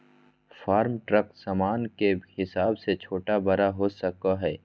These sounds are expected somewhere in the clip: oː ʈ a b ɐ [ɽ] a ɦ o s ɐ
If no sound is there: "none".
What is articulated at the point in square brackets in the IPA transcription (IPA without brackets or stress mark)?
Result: ɾ